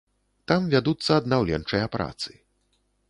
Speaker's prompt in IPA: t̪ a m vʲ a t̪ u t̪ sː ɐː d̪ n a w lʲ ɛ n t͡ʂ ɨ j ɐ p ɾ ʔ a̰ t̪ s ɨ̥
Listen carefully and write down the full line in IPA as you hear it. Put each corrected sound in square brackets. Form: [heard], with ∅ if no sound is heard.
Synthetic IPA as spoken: t̪ a m vʲ a [d̪] u t̪ sː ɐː d̪ n a w lʲ ɛ n t͡ʂ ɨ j ɐ p ɾ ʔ a̰ t̪ s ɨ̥